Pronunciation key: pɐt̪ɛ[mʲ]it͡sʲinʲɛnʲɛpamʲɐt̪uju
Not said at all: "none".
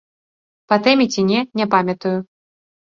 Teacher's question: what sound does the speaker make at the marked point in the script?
mʲ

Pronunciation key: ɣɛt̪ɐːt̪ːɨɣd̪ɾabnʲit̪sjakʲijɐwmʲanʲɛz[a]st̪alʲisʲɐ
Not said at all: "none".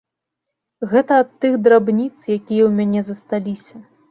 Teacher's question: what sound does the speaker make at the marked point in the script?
ɐ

